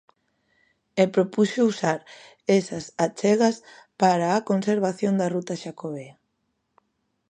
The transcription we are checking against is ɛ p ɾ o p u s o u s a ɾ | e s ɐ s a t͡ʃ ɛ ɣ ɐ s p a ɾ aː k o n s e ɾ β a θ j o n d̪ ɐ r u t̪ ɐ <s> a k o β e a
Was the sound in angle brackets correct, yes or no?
no